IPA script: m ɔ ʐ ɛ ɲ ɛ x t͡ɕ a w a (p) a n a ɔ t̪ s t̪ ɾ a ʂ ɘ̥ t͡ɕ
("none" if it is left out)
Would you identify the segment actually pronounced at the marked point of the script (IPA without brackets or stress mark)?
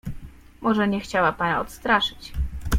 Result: p